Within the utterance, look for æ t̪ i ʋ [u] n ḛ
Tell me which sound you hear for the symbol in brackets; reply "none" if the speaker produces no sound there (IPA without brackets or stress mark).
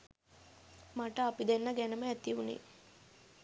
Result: u